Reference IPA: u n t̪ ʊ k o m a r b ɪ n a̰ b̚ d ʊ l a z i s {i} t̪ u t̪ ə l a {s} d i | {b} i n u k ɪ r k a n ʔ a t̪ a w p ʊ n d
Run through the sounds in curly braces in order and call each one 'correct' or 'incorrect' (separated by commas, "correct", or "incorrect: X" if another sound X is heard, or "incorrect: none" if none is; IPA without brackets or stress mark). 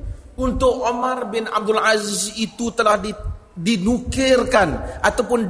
correct, incorrect: h, incorrect: d